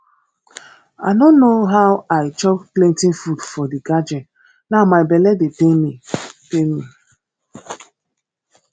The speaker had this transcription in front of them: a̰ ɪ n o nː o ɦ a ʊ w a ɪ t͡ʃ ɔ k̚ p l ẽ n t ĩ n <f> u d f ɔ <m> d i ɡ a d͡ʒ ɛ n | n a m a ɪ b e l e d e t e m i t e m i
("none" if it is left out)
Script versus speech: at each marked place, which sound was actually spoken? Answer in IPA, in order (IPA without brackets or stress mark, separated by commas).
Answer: f, none